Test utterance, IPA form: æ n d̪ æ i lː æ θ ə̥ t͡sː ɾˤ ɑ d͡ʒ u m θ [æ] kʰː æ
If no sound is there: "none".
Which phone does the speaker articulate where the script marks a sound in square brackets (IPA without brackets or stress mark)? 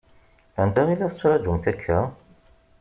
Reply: æ